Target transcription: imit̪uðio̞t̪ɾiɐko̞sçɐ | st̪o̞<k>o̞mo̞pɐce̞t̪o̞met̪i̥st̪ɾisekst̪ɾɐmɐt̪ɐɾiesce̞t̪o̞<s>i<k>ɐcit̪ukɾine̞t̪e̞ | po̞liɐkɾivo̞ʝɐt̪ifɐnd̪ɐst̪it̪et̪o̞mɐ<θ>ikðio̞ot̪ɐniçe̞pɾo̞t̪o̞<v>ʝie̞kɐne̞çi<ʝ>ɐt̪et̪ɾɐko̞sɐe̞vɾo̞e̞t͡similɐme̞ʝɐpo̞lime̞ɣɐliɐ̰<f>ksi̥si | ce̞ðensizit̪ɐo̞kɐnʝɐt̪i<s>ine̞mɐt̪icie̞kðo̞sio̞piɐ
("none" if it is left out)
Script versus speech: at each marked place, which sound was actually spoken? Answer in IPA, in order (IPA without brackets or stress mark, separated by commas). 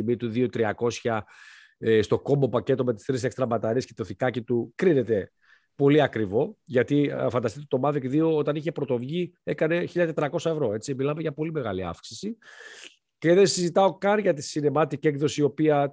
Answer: k, θ, k, ð, v, ʎ, f, s